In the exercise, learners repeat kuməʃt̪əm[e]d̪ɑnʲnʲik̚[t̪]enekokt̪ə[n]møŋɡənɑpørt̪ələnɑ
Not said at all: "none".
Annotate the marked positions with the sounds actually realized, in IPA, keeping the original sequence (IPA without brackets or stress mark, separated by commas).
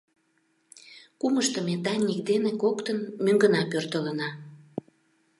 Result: e, d̪, n